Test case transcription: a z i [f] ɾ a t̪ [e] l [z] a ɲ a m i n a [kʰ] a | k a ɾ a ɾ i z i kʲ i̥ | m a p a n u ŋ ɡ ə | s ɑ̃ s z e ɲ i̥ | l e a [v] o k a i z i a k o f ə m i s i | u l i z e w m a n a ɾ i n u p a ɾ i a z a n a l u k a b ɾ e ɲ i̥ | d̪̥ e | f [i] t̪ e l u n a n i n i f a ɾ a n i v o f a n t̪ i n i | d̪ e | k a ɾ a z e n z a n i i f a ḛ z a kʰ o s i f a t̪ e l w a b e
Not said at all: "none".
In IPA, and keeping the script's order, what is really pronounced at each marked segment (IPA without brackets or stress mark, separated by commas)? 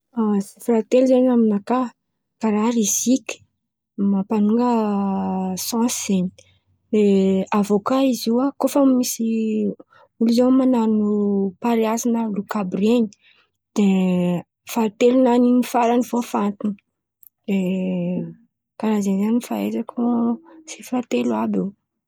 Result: f, e, z, k, v, a